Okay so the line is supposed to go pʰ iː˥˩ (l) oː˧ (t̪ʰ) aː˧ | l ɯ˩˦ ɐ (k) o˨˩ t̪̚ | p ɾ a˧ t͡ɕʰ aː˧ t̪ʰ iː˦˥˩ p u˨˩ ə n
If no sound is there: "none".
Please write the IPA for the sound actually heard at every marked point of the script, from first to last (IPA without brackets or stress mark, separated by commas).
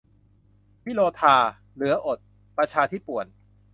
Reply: l, t̪ʰ, ʔ